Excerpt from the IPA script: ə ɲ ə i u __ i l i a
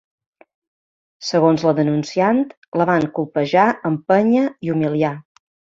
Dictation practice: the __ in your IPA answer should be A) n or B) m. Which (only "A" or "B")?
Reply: B